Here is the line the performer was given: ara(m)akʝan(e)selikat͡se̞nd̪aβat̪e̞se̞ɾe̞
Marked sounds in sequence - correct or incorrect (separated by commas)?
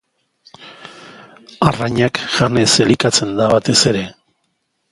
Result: incorrect, correct